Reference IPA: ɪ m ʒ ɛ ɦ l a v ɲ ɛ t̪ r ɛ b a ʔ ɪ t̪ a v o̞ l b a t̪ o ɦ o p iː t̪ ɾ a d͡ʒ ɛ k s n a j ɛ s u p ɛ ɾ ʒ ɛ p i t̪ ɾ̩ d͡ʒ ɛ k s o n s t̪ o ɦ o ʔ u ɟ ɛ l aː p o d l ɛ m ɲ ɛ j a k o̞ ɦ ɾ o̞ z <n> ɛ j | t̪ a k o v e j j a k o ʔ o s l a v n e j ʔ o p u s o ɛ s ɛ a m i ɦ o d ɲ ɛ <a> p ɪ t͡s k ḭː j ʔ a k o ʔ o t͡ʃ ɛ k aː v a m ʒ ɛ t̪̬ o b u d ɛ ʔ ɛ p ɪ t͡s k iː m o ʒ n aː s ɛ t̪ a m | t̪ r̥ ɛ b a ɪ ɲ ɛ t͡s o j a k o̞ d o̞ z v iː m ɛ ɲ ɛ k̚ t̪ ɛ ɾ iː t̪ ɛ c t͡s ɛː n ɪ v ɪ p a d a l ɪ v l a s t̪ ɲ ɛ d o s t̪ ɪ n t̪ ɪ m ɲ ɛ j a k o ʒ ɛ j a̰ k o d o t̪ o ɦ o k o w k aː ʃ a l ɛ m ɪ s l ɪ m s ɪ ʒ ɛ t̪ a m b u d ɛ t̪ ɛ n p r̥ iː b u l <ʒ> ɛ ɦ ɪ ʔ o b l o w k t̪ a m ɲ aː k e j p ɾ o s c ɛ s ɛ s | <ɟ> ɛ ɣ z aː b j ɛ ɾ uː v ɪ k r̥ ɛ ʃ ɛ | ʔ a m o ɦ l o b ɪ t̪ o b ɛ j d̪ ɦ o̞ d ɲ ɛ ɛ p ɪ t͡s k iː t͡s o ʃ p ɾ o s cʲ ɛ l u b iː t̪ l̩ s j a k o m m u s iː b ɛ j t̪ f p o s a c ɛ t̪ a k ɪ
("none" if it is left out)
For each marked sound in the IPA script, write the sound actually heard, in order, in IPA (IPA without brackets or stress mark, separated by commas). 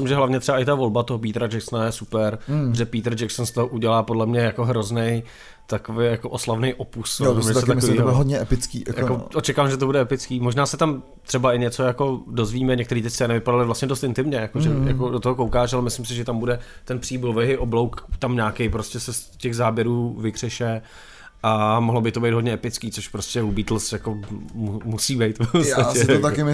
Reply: n, ɛ, v, c